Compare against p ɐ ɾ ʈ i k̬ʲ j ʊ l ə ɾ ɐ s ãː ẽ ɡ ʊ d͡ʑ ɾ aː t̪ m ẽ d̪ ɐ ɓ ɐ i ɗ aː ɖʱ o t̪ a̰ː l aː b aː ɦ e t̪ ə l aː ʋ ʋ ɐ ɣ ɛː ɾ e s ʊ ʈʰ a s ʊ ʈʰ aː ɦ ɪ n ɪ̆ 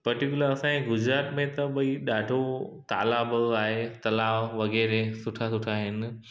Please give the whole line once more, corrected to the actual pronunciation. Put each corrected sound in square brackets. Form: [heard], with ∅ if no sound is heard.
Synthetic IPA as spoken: p ɐ ɾ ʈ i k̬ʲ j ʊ l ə ɾ ɐ s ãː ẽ ɡ ʊ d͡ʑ ɾ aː t̪ m ẽ [t̪] ɐ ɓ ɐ i ɗ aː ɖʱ o t̪ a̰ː l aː b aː ɦ e t̪ [ɐ] l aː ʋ ʋ ɐ ɣ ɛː ɾ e s ʊ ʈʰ a s ʊ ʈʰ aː ɦ ɪ n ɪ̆